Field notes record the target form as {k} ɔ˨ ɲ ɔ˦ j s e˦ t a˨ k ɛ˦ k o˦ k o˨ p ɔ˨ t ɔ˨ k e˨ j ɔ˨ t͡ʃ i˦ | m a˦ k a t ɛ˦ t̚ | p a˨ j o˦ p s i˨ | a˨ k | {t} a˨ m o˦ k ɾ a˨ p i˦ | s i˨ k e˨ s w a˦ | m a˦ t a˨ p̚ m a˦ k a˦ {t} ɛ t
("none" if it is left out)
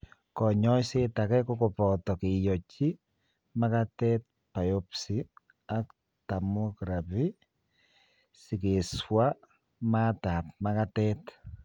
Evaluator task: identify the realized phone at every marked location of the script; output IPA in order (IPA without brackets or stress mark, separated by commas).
k, t, t